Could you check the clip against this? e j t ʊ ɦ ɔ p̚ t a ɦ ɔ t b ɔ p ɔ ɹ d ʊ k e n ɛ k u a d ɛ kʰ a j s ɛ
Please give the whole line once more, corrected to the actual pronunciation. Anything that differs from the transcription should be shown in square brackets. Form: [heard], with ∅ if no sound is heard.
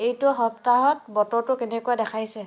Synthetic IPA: e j t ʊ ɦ ɔ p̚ t a ɦ ɔ t b ɔ [t] ɔ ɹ [t] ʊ k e n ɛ k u a d ɛ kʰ a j s ɛ